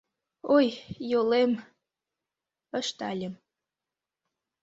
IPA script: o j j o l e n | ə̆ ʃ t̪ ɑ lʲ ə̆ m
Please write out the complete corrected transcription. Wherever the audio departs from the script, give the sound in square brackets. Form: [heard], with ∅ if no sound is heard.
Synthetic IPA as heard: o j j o l e [m] | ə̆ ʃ t̪ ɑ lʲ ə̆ m